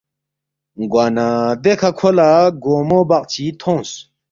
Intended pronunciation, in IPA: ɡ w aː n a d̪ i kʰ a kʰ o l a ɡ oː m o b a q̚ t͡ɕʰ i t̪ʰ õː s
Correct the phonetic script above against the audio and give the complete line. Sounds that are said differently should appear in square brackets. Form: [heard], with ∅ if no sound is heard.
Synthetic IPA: ɡ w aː n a d̪ [e] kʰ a kʰ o l a ɡ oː m o b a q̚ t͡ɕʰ i t̪ʰ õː s